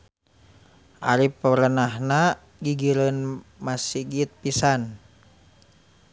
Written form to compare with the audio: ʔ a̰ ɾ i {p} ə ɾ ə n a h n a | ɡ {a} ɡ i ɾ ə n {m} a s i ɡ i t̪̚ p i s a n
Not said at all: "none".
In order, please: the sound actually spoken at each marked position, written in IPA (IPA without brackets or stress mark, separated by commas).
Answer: p, i, m